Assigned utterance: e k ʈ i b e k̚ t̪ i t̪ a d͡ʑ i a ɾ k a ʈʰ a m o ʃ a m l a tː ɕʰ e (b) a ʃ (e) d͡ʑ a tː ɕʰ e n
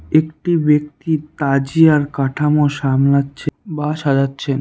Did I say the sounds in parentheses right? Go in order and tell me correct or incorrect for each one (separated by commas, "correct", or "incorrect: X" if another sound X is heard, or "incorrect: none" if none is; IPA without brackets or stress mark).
correct, incorrect: a